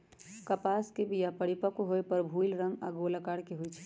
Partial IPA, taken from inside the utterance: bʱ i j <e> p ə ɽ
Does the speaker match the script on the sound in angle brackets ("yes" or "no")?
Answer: no